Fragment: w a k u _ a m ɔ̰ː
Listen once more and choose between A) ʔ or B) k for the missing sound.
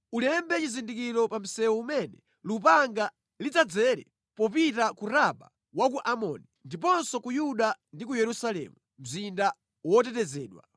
A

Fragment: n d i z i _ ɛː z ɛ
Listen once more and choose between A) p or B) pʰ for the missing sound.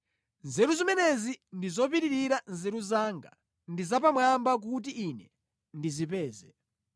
A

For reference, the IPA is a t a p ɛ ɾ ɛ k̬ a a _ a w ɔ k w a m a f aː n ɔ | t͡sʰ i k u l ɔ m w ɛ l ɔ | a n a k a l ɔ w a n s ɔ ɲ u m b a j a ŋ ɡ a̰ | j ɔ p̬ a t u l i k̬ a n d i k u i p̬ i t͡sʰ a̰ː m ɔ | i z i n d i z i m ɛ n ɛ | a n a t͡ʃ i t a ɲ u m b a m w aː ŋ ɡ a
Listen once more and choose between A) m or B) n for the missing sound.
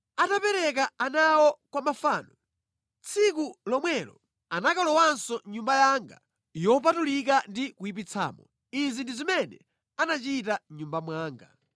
B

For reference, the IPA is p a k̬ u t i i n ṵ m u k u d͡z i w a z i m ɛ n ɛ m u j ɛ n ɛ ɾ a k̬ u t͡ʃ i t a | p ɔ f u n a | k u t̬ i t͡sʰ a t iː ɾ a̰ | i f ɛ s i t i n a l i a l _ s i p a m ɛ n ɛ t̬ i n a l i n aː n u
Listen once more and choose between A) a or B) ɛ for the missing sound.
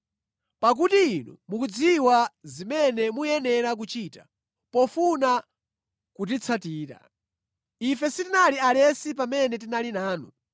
B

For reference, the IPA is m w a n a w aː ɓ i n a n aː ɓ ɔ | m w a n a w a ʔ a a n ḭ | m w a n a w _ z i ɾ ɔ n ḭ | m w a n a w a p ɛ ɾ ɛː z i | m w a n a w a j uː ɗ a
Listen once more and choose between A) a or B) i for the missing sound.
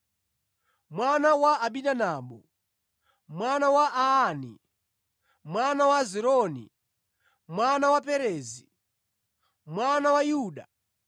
A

